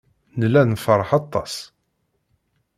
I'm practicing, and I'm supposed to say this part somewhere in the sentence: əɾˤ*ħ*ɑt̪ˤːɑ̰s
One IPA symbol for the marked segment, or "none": ħ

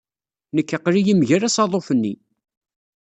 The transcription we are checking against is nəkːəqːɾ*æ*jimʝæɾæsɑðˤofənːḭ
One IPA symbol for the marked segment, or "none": i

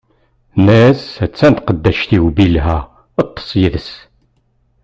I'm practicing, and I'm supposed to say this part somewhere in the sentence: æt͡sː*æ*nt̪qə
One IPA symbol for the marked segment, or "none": æ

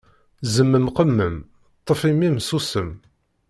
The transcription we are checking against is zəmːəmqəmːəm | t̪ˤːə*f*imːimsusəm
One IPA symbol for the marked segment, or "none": f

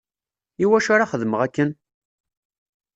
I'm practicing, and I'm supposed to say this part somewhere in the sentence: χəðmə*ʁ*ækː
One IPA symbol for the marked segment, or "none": ʁ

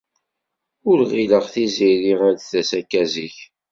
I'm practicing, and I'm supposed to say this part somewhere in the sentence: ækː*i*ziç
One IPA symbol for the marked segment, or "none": æ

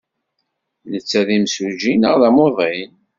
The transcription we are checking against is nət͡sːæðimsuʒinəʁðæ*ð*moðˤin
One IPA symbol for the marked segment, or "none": none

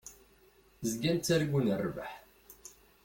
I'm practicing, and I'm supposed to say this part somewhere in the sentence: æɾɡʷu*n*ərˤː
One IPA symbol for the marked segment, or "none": n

